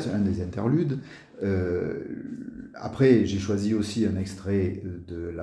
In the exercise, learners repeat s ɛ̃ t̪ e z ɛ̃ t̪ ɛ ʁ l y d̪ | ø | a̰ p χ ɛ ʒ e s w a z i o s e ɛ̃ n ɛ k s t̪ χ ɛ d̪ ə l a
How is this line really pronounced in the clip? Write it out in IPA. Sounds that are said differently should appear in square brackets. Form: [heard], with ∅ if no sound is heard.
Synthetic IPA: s ɛ̃ [d̪] e z ɛ̃ t̪ ɛ ʁ l y d̪ | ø | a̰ p χ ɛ ʒ e [ʃ] w a z i o s [i] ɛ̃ n ɛ k s t̪ χ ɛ d̪ ə l a